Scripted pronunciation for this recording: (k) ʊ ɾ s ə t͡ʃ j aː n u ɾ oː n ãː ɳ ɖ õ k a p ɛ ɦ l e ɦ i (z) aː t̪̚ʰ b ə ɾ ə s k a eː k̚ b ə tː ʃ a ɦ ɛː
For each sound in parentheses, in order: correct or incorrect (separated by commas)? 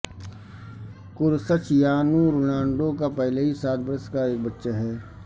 correct, incorrect